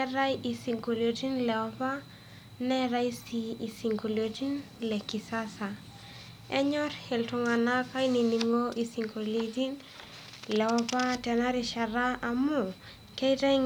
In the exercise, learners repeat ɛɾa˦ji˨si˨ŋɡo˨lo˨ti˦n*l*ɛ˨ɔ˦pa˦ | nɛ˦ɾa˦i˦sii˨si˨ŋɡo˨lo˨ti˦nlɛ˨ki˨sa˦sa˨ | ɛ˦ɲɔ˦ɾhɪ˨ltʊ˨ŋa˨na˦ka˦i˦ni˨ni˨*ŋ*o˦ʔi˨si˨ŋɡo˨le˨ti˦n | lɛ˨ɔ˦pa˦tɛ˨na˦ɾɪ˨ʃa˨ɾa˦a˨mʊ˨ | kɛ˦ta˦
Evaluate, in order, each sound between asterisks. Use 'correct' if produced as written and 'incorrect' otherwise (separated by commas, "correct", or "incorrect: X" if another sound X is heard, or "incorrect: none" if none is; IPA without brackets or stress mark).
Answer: correct, correct